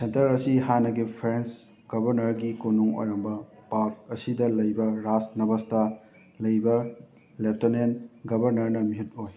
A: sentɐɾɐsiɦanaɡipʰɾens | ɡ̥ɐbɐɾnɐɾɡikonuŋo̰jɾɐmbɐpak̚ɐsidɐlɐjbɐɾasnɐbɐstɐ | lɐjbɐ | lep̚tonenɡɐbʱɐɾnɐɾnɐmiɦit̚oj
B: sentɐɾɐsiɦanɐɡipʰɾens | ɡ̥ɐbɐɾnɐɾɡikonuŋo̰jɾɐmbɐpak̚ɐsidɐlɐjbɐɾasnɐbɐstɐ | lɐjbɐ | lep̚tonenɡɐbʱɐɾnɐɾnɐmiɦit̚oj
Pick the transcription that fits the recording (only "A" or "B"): B